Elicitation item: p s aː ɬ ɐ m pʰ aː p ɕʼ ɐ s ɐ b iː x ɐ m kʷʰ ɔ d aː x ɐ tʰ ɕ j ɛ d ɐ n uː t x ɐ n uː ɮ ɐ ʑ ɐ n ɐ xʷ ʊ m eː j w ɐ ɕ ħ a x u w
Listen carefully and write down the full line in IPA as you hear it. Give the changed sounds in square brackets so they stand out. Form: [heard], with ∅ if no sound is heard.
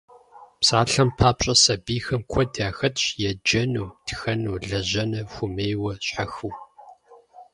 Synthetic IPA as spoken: p s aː ɬ ɐ m pʰ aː p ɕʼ ɐ s ɐ b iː x ɐ m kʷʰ ɔ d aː x ɐ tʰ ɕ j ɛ [d͡ʒ] ɐ n uː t x ɐ n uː ɮ ɐ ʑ ɐ n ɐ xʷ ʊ m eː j w ɐ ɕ ħ a x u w